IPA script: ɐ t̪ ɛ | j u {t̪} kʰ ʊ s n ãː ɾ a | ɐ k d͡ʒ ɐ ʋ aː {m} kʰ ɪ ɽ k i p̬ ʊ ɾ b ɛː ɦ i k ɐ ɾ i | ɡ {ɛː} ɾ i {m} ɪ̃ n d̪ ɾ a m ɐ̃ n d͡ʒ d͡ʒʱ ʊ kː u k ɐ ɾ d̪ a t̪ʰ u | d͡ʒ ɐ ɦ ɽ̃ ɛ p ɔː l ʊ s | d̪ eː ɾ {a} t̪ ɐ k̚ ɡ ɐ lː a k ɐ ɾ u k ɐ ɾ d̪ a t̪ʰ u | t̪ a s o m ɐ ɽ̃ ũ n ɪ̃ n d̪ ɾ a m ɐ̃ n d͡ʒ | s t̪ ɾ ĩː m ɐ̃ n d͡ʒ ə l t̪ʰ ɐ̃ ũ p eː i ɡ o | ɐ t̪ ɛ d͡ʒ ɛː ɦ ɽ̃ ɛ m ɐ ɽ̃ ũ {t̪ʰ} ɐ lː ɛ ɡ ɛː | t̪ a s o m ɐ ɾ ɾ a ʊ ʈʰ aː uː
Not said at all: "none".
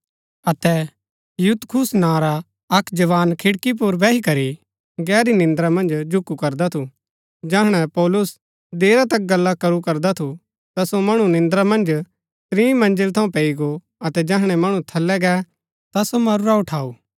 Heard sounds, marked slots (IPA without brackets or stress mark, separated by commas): t̪, n, ɛː, n, a, t̪ʰ